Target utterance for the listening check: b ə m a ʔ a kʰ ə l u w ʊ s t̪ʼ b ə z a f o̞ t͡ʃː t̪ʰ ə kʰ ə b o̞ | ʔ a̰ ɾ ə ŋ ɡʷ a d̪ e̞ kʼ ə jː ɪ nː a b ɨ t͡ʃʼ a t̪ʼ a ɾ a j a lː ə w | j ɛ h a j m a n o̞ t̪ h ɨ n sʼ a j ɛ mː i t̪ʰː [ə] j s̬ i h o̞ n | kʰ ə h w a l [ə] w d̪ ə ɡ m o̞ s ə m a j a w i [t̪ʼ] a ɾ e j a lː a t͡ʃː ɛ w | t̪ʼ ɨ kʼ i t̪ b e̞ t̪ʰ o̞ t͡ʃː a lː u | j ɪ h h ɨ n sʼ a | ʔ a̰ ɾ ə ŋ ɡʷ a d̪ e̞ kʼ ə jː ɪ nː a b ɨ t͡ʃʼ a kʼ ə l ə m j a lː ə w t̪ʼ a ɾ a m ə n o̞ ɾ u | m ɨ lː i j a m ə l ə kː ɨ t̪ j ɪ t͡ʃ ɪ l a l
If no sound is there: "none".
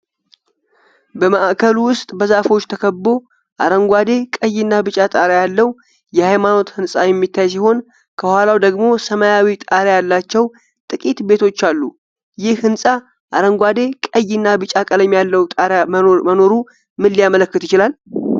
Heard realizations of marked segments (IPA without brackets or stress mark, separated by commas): a, a, t̪ʼ